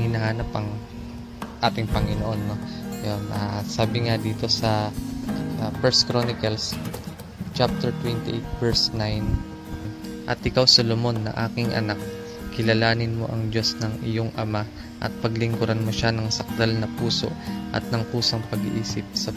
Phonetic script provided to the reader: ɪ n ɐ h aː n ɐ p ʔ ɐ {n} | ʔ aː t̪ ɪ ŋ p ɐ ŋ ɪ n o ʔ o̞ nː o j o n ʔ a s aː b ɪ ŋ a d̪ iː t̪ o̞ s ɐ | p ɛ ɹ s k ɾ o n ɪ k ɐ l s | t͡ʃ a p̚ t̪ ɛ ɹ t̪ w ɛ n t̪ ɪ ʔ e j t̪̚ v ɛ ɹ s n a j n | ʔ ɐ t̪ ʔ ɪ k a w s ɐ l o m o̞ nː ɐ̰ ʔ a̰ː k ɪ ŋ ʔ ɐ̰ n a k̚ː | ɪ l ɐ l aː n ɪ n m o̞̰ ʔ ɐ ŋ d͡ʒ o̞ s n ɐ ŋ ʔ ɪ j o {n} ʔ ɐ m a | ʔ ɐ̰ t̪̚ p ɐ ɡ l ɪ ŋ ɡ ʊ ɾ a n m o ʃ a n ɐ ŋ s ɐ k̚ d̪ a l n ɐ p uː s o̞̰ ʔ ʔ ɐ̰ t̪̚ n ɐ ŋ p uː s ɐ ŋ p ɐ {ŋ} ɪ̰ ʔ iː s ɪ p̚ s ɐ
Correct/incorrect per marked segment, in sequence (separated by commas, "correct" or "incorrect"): incorrect, incorrect, incorrect